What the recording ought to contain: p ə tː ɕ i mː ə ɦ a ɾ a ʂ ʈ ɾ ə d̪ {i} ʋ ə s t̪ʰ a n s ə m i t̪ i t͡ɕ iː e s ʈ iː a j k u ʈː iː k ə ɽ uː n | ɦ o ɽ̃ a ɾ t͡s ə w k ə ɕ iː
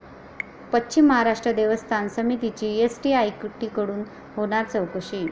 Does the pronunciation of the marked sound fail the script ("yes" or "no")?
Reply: yes